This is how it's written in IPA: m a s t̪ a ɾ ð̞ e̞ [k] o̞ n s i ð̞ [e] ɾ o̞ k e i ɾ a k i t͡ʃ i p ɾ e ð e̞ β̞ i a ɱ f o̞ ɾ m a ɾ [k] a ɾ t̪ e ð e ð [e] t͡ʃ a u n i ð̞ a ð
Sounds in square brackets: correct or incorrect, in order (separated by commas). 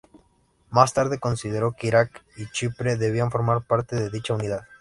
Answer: correct, correct, incorrect, incorrect